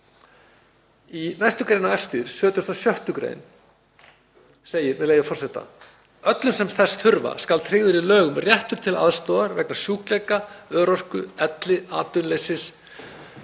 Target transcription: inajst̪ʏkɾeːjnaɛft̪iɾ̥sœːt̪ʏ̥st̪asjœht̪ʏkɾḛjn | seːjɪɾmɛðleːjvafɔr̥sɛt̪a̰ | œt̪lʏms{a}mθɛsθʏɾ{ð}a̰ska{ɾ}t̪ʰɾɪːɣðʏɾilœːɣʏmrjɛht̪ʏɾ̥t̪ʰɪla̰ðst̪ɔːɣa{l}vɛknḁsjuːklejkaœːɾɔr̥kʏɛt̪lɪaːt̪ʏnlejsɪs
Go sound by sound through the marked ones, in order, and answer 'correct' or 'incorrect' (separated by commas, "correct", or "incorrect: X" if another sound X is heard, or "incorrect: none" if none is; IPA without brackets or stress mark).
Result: incorrect: ɛ, incorrect: v, incorrect: l, incorrect: ɾ